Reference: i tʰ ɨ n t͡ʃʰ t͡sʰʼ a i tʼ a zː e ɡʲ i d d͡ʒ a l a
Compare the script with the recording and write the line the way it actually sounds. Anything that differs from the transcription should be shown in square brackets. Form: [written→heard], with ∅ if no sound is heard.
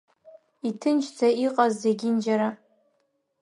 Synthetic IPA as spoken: i tʰ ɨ n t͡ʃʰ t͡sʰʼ a i [tʼ→qʼ] a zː e ɡʲ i [d→n] d͡ʒ a [l→ɾ] a